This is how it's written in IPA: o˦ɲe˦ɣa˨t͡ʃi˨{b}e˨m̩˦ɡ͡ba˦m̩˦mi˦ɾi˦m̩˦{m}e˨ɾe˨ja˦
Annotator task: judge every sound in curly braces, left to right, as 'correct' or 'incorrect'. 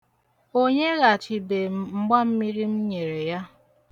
correct, incorrect: ɲ

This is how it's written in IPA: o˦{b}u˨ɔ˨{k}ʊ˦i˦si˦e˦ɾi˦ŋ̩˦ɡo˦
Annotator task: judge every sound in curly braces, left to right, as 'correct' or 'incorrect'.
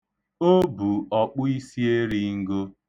correct, incorrect: k͡p

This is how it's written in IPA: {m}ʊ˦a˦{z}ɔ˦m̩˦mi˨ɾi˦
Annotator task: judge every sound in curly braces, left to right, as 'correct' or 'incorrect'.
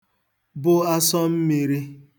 incorrect: b, incorrect: s

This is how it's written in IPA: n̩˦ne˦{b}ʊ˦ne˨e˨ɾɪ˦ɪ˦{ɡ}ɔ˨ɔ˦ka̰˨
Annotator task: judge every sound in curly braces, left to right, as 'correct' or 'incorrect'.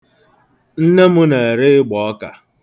incorrect: m, incorrect: ɡ͡b

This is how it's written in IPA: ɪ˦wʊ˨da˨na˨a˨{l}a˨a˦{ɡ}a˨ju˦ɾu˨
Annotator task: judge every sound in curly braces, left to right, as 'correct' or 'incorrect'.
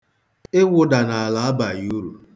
correct, incorrect: b

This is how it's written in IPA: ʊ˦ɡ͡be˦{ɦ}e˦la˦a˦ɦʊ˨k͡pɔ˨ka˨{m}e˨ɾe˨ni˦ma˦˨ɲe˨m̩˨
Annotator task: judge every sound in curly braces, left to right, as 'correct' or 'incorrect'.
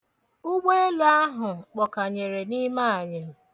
incorrect: none, incorrect: ɲ

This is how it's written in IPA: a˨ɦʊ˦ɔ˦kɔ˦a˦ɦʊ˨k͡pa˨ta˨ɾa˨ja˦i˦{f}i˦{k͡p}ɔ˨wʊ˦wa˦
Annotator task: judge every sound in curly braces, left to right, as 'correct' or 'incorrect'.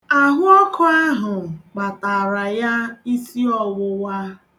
incorrect: s, incorrect: none

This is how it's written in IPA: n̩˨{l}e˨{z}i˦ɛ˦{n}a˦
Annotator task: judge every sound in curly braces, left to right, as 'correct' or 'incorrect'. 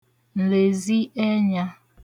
correct, correct, incorrect: ɲ

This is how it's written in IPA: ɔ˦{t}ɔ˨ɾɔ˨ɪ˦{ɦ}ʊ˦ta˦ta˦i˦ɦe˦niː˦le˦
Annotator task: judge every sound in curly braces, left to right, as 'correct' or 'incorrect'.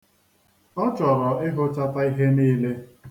incorrect: t͡ʃ, correct

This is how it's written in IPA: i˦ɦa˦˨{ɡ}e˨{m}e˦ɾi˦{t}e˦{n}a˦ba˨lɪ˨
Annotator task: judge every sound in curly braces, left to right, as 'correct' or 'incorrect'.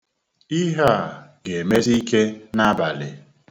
correct, correct, incorrect: k, correct

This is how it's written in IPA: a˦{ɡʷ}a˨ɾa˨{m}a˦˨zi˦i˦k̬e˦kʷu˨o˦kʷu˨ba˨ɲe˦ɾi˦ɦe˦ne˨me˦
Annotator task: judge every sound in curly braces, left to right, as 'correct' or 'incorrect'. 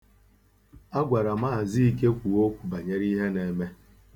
correct, correct

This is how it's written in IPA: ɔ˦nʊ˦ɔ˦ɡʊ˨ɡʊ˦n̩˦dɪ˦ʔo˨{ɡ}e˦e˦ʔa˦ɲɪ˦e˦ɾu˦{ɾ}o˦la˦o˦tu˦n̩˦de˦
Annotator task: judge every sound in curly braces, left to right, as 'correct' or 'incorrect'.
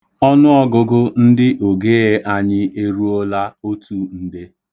correct, incorrect: none

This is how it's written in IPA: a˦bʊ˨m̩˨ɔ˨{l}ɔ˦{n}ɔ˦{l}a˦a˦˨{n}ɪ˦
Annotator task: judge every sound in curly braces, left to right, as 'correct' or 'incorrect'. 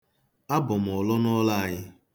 correct, correct, correct, incorrect: ɲ

